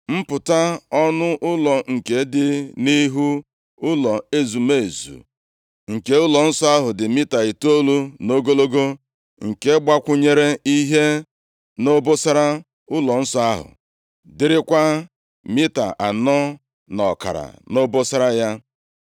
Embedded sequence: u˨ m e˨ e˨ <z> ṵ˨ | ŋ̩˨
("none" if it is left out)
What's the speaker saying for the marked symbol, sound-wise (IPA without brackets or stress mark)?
z